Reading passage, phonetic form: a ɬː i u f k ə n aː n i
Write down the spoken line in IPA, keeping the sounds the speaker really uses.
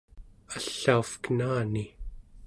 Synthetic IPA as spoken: a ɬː a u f k ə n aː n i